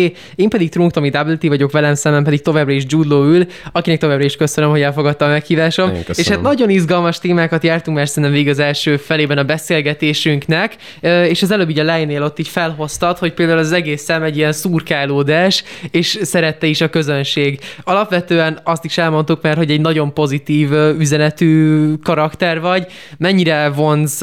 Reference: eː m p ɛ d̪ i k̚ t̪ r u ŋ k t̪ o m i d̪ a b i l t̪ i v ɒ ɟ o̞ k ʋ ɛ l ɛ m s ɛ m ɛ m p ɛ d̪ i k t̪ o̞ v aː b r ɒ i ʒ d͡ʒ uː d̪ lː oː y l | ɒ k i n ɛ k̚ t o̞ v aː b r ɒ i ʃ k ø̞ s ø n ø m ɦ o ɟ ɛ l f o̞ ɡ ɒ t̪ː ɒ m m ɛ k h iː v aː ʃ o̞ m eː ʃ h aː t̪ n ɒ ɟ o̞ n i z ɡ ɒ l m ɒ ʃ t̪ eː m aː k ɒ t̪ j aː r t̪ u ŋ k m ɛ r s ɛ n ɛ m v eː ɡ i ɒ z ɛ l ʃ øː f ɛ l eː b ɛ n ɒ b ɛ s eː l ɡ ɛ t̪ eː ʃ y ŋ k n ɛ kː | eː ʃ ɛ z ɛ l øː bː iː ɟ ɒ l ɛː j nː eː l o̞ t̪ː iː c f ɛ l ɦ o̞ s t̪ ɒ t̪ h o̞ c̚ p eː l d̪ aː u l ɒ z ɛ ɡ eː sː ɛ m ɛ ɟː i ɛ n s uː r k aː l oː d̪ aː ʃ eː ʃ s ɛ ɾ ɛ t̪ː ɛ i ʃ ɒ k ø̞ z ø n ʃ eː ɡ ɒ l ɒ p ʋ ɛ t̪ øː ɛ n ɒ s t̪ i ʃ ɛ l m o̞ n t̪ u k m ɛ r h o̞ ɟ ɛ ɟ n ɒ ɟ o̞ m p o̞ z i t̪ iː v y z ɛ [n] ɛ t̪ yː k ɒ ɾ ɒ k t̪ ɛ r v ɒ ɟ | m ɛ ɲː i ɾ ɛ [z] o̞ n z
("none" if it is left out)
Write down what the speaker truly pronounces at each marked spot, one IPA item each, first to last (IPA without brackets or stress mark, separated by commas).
n, v